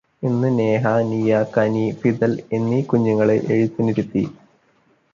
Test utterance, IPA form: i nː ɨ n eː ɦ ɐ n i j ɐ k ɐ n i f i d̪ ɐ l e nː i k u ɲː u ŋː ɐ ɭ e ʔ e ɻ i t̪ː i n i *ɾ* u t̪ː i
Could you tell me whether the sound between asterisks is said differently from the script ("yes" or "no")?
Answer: no